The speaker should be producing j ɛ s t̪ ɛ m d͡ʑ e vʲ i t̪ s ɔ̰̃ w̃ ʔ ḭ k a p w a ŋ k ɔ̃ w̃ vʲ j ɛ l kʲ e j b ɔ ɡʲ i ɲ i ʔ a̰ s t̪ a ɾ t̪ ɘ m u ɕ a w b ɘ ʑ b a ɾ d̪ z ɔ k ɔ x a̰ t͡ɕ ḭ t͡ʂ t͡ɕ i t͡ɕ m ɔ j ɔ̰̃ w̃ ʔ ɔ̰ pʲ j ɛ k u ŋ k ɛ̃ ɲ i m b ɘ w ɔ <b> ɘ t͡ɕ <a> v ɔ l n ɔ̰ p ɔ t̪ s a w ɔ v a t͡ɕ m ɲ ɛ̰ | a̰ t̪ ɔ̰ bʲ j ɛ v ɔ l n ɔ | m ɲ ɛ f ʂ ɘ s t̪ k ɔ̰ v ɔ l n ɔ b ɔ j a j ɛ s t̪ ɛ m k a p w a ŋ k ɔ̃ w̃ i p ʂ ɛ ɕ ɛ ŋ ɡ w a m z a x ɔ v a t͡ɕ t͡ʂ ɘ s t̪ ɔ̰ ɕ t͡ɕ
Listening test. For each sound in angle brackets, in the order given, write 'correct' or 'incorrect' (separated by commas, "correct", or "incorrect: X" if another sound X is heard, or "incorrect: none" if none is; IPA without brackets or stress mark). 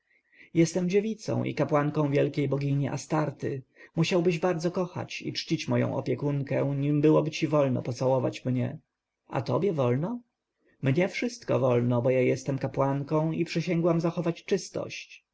correct, incorrect: i